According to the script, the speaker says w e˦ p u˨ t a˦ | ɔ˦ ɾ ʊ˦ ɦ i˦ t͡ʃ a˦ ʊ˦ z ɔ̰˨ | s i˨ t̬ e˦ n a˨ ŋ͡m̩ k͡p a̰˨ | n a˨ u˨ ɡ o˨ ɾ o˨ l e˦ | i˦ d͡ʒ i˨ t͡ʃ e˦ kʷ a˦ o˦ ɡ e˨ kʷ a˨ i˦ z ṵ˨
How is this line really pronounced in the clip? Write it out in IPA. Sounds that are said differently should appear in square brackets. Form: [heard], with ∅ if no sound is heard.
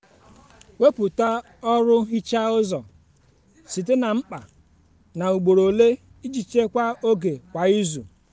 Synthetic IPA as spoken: w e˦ p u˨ t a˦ | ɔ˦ ɾ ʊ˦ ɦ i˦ t͡ʃ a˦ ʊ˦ z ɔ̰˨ | s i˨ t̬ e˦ n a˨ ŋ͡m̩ k͡p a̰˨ | n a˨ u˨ [ɡ͡b] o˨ ɾ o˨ l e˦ | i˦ d͡ʒ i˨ t͡ʃ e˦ kʷ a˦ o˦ ɡ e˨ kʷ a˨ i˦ z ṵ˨